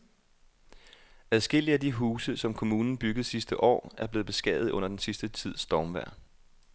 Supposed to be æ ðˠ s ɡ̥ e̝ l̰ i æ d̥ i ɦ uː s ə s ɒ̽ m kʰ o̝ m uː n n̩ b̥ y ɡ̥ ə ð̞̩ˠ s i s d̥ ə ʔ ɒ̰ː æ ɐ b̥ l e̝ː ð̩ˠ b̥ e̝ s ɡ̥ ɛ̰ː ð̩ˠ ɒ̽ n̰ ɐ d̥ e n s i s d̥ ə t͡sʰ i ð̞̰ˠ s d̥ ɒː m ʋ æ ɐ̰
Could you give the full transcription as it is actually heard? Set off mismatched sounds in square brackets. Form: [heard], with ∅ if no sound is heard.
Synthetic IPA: æ ðˠ s ɡ̥ e̝ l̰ i æ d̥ i ɦ uː s ə s ɒ̽ m kʰ o̝ m uː n n̩ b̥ y ɡ̥ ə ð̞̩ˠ s i s d̥ ə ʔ ɒ̰ː æ ɐ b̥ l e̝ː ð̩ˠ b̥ e̝ s ɡ̥ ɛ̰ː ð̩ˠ [ɔ̽] n̰ ɐ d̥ e n s i s d̥ ə t͡sʰ i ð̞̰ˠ s d̥ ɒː m ʋ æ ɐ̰